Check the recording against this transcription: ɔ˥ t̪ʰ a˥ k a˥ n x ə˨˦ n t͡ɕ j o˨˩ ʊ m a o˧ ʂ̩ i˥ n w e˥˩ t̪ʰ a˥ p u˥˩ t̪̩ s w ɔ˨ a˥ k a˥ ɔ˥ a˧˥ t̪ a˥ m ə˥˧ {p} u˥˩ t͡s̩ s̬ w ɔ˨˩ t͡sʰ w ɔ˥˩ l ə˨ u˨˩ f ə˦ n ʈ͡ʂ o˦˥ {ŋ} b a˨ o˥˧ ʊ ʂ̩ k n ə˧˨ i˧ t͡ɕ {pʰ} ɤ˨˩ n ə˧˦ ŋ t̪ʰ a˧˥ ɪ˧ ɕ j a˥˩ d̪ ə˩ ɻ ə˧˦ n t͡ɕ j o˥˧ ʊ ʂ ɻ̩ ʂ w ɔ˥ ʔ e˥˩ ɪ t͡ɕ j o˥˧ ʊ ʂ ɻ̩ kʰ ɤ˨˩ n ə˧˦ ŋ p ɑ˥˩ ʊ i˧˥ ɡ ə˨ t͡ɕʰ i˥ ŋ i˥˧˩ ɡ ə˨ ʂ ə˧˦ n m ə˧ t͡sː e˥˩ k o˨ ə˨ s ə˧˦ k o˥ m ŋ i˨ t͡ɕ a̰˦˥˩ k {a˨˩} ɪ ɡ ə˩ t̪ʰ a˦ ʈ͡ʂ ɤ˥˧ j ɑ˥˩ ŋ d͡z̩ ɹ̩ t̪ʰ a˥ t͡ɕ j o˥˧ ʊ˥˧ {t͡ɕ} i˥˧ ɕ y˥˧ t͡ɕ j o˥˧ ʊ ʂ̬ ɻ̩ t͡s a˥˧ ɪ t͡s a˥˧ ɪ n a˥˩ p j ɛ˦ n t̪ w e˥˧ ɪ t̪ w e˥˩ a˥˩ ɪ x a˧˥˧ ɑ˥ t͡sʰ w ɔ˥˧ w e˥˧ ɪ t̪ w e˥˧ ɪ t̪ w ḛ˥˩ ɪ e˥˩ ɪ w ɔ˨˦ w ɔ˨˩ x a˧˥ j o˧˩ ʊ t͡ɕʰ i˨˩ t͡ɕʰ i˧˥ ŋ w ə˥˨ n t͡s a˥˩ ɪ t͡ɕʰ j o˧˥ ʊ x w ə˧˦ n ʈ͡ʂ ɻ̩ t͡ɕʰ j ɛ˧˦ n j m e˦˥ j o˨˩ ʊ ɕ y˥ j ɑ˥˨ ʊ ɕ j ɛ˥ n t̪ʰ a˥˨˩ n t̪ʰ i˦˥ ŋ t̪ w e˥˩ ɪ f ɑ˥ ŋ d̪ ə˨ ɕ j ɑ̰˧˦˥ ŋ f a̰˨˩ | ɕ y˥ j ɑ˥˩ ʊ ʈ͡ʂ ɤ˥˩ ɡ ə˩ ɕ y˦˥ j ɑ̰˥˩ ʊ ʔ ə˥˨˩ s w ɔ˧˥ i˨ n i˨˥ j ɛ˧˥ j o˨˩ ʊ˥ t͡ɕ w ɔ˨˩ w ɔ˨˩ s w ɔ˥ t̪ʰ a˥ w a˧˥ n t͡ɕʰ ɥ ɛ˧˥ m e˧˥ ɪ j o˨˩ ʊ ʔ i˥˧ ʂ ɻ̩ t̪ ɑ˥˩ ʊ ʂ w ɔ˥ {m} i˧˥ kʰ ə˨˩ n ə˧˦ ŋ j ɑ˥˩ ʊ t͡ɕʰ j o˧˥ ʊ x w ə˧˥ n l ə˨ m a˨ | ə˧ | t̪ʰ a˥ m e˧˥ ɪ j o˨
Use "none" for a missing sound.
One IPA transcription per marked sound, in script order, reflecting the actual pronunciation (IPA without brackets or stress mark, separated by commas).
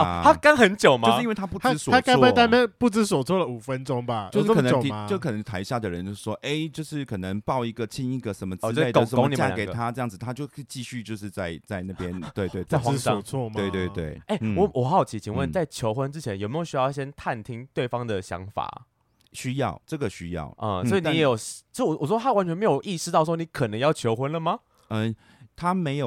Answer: p, ŋ, kʰ, e˨˩, t͡ɕ, n